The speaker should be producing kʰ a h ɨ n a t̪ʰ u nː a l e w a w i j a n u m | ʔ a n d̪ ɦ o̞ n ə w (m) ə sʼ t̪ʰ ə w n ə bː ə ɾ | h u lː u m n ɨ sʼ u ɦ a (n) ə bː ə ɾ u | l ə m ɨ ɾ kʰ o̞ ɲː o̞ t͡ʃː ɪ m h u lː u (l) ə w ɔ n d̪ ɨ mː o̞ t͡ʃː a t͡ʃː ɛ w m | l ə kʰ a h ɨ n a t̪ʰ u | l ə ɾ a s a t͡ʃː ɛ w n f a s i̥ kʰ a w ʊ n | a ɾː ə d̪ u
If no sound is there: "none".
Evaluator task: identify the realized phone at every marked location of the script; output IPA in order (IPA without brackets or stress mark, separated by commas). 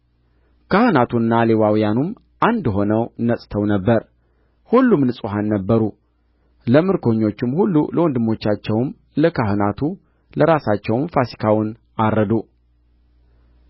n, nː, l